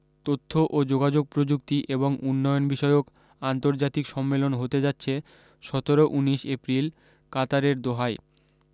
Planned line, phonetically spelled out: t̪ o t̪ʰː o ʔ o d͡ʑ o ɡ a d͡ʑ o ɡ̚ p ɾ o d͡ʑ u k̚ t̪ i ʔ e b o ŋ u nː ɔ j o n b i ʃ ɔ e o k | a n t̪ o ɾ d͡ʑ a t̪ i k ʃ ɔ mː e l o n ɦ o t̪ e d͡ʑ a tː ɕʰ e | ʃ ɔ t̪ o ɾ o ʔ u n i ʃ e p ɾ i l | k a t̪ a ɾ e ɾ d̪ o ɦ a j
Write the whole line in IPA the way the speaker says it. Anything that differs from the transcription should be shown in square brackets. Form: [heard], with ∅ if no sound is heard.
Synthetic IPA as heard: t̪ o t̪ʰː o ʔ o d͡ʑ o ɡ a d͡ʑ o ɡ̚ p ɾ o d͡ʑ u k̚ t̪ i ʔ e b o ŋ u nː ɔ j o n b i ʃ ɔ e o k | a n t̪ o ɾ d͡ʑ a t̪ i k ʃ ɔ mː e l o n ɦ o t̪ e d͡ʑ a tː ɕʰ e | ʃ ɔ t̪ o ɾ o ʔ u n i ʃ e p ɾ i l | k a t̪ a ɾ e ɾ d̪ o ɦ a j